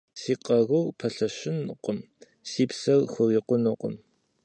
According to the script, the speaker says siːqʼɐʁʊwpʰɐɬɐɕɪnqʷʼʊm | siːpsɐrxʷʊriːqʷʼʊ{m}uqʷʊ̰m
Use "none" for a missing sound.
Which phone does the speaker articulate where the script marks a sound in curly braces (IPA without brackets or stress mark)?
n